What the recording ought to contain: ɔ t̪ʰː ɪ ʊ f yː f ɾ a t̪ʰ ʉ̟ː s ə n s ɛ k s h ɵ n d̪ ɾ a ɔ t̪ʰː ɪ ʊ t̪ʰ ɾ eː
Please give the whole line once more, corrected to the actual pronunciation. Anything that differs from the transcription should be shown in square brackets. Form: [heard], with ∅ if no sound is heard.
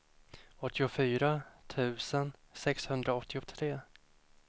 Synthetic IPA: ɔ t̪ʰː ɪ ʊ f yː [∅] ɾ a t̪ʰ ʉ̟ː s ə n s ɛ k s h ɵ n d̪ ɾ a ɔ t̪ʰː ɪ ʊ t̪ʰ ɾ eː

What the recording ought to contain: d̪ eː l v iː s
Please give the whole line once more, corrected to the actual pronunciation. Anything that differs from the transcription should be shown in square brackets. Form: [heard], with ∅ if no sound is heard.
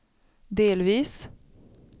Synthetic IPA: d̪ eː l [ʋ] iː s

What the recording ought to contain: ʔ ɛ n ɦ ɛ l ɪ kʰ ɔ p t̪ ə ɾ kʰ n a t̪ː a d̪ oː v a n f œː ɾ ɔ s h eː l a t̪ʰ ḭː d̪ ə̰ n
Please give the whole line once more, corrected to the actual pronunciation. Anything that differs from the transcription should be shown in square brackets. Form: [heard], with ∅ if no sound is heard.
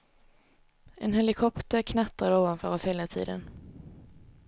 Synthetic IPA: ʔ ɛ n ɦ ɛ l ɪ kʰ ɔ p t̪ ə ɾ kʰ n a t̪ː a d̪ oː v a n f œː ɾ ɔ s h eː l a t̪ʰ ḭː d̪ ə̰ n

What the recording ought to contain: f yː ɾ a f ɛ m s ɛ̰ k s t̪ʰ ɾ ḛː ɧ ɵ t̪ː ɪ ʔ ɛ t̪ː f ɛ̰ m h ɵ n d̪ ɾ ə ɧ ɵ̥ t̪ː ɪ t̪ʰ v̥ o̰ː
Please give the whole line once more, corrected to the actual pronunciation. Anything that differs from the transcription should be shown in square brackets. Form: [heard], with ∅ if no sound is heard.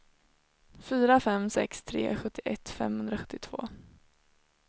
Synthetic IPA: f yː ɾ a f ɛ m s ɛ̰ k s t̪ʰ ɾ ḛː ɧ ɵ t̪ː ɪ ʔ ɛ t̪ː f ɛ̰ m h ɵ n d̪ ɾ [a] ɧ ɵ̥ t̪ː ɪ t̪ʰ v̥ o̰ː

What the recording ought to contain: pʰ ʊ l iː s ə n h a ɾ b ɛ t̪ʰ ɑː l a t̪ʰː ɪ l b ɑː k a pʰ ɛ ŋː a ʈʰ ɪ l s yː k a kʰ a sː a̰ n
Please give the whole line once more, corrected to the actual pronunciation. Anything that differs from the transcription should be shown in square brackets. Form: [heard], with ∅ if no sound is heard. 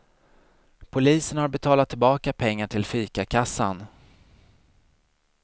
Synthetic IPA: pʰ ʊ l iː s ə n h a ɾ b ɛ t̪ʰ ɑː l a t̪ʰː ɪ l b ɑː k a pʰ ɛ ŋː a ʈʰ ɪ l [f] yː k a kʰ a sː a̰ n

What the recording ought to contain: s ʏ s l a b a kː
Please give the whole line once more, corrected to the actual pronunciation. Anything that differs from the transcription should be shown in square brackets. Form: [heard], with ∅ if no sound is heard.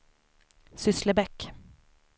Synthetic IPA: s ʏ s l [ə] b [ɛ] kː

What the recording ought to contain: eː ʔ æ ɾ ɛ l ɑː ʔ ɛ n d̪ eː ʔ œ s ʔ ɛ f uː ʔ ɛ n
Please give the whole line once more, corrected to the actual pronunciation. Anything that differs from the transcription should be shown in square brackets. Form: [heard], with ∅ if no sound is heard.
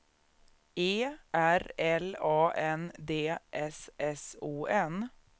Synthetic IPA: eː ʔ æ ɾ ɛ l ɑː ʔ ɛ n d̪ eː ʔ [ɛ] s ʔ ɛ [s] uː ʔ ɛ n

